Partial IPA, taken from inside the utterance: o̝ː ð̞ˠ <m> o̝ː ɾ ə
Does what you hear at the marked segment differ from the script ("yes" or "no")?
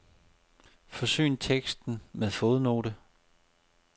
yes